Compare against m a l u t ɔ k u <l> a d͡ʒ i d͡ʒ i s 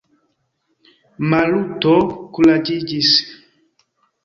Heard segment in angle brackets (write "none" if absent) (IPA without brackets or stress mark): l